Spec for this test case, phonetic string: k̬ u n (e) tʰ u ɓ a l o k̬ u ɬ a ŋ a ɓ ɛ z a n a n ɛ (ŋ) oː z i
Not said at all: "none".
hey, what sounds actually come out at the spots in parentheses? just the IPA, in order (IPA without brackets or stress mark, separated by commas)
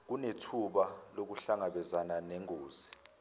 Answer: e, ŋ